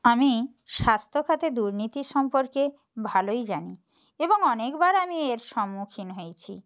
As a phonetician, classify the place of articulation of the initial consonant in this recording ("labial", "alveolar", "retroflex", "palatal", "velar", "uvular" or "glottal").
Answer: labial